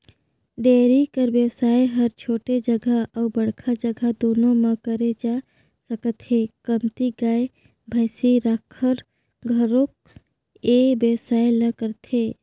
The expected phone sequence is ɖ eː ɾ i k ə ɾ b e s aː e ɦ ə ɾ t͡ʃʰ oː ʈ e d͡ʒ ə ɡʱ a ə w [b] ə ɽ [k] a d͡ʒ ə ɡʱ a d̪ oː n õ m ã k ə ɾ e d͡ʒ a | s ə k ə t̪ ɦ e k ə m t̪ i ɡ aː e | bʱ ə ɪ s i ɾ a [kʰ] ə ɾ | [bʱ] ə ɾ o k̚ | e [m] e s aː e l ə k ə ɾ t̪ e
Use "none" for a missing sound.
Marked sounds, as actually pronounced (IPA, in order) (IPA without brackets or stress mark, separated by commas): b, kʰ, kʰ, ɡʱ, b